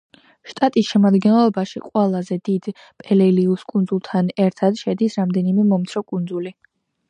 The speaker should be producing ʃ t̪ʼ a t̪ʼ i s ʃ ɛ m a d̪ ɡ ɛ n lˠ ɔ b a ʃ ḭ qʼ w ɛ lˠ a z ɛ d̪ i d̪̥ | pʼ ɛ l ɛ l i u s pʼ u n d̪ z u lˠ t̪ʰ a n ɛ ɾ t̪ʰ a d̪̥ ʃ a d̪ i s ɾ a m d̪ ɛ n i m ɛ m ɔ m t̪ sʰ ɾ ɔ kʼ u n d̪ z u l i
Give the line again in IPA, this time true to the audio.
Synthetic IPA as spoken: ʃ t̪ʼ a t̪ʼ i s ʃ ɛ m a d̪ ɡ ɛ n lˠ ɔ b a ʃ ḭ qʼ w ɛ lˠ a z ɛ d̪ i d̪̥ | pʼ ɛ l ɛ l i u s kʼ u n d̪ z u lˠ t̪ʰ a n ɛ ɾ t̪ʰ a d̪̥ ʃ ɛ d̪ i s ɾ a m d̪ ɛ n i m ɛ m ɔ m t̪ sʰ ɾ ɔ kʼ u n d̪ z u l i